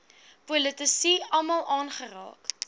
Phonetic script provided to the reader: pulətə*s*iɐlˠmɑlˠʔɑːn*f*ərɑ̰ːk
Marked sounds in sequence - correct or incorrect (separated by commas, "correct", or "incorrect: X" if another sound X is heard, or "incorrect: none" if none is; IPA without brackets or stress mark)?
correct, incorrect: χ